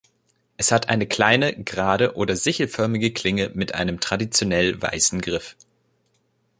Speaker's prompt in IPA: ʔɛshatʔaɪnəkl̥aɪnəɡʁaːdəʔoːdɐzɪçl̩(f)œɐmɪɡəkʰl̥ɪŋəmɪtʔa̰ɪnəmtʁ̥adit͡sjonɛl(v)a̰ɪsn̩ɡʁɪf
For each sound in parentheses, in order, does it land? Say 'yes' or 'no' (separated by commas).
yes, yes